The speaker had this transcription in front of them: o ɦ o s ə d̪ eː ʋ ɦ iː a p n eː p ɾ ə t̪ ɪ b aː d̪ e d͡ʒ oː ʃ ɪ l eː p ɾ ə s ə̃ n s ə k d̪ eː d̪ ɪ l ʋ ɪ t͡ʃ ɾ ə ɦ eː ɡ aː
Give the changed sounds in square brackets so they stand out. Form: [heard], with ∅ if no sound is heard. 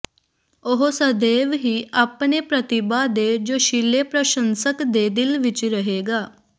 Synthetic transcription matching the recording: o ɦ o s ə d̪ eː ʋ ɦ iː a p n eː p ɾ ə t̪ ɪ b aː d̪ e d͡ʒ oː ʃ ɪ l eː p ɾ ə [ʃ] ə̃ n s ə k d̪ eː d̪ ɪ l ʋ ɪ t͡ʃ ɾ ə ɦ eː ɡ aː